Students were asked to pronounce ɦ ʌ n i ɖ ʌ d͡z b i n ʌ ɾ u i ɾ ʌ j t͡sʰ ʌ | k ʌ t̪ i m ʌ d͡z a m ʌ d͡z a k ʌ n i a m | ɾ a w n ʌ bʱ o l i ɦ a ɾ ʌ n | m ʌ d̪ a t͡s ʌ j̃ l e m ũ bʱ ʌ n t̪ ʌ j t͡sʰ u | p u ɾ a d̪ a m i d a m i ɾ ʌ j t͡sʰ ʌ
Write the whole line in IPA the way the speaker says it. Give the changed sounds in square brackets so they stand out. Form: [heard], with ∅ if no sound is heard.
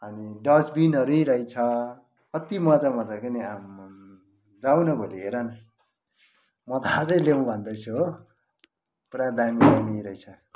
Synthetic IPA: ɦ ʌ n i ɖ ʌ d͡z b i n ʌ ɾ u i ɾ ʌ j t͡sʰ ʌ | k ʌ t̪ i m ʌ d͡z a m ʌ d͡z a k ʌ n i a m | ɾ a w n ʌ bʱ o l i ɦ [e] ɾ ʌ n | m ʌ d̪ a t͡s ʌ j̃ l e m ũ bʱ ʌ n [d̪] ʌ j t͡sʰ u | p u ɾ a d̪ a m i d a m i ɾ ʌ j t͡sʰ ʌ